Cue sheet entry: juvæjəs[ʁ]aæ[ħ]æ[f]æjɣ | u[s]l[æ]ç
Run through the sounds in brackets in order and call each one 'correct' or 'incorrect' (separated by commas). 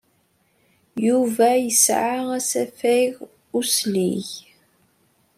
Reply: incorrect, incorrect, correct, correct, incorrect